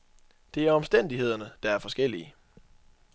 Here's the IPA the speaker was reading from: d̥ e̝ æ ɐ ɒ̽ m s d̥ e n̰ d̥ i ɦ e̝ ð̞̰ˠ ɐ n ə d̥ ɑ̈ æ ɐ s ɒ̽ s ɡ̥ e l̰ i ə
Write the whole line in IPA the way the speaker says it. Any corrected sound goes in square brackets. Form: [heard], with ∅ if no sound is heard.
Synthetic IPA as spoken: d̥ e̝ æ ɐ ɒ̽ m s d̥ e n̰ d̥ i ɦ e̝ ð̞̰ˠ ɐ n ə d̥ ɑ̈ æ ɐ [f] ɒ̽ s ɡ̥ e l̰ i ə